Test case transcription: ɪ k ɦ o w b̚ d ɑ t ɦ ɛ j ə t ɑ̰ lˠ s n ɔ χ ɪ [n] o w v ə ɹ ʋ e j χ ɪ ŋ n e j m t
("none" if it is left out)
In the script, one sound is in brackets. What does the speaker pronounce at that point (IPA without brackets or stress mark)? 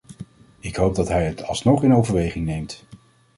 n